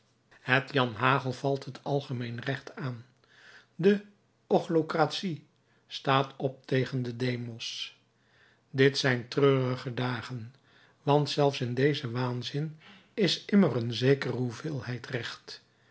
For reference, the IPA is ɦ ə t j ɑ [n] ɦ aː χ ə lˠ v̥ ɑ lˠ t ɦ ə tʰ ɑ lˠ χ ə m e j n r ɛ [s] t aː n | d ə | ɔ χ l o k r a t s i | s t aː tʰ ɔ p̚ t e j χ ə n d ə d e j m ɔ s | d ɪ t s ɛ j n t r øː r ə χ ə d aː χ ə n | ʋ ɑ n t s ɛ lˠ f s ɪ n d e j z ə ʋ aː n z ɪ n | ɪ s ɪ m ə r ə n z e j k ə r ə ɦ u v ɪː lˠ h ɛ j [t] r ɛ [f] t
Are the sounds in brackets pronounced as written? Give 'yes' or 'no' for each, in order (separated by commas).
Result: yes, no, yes, no